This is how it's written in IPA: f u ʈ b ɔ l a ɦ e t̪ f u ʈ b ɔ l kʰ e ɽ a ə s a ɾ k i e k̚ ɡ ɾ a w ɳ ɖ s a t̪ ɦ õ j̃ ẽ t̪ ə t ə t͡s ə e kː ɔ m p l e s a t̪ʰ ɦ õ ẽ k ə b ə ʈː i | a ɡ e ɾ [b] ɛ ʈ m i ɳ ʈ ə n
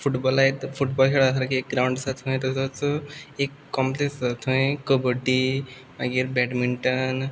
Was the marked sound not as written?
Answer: no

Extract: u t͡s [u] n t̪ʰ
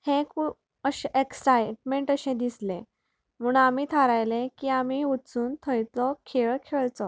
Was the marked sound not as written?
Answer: yes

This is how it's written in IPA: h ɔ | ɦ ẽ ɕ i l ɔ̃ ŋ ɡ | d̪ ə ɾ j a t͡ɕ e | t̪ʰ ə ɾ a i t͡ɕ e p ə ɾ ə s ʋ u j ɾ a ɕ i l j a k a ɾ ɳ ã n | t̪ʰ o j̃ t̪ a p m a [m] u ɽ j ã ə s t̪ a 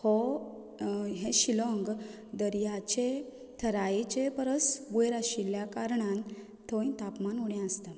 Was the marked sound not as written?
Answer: yes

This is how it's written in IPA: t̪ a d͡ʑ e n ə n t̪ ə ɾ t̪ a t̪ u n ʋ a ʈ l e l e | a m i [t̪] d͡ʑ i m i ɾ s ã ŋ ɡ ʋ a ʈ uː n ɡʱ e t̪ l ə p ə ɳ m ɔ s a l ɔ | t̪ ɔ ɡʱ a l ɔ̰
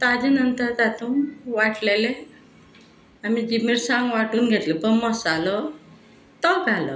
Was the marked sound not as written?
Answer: yes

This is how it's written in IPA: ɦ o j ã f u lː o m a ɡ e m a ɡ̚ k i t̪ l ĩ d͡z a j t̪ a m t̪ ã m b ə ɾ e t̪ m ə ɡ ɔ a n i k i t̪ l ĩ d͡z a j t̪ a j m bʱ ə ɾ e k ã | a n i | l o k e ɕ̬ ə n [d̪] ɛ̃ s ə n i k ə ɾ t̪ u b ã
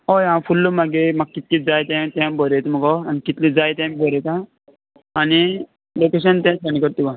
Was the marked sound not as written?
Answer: yes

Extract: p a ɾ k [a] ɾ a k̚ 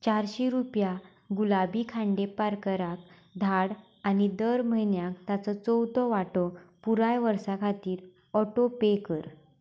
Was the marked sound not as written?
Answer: yes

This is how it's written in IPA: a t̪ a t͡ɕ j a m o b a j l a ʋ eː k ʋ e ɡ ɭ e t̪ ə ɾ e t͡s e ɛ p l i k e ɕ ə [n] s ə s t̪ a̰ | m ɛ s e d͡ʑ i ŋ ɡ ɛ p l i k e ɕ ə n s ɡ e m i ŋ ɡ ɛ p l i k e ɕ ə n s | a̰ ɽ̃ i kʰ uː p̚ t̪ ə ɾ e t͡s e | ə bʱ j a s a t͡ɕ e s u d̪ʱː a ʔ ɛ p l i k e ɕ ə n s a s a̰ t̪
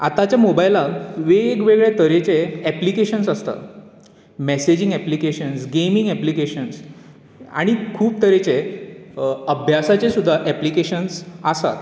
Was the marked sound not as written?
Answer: no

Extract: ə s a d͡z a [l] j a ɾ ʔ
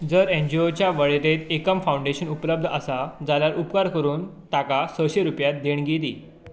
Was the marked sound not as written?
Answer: no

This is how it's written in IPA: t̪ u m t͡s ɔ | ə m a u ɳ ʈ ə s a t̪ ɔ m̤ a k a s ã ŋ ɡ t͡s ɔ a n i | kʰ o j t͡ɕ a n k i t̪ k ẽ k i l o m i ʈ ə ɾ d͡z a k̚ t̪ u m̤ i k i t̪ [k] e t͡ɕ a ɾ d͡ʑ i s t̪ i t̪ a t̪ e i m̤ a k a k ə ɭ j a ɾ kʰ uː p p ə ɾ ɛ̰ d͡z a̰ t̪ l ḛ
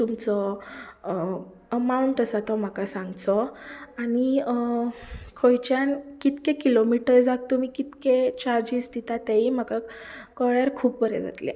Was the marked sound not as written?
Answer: no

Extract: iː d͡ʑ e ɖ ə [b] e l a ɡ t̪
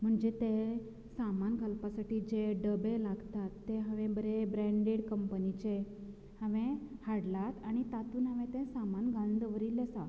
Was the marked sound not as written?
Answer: no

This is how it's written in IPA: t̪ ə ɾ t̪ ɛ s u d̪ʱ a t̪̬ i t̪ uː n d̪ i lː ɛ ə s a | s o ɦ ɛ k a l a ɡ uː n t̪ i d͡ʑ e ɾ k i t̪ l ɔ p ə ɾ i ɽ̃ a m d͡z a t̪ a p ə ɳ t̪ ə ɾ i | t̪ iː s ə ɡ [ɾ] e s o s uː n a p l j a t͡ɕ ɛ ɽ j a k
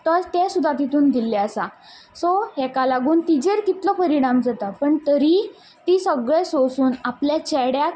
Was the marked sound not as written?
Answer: yes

